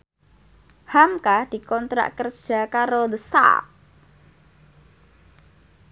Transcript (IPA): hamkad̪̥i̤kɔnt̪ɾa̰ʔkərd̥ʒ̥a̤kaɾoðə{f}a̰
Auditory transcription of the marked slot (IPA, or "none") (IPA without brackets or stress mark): s